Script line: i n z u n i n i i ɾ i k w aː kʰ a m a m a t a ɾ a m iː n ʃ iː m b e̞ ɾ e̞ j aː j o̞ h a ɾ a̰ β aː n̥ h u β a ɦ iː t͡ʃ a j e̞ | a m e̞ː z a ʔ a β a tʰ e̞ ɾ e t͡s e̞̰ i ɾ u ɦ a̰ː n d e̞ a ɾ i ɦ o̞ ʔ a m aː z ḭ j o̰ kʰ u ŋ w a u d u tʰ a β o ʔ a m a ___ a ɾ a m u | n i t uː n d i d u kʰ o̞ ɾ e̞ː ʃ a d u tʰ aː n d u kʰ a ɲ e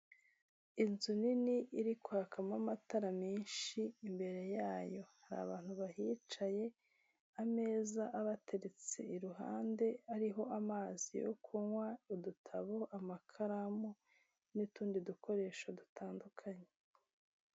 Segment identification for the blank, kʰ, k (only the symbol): kʰ